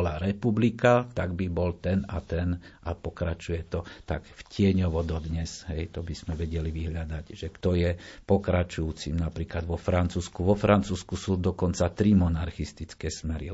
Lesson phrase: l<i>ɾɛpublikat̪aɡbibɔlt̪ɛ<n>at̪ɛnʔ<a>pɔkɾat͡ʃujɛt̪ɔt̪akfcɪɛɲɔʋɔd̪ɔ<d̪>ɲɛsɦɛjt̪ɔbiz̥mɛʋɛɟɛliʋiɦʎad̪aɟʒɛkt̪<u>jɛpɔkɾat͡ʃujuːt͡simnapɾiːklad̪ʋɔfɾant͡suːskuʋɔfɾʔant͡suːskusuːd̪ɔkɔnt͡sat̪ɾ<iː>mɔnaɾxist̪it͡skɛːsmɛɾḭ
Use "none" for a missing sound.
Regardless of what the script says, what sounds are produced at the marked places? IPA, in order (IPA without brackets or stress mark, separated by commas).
a, n, a, d̪, ɔ, i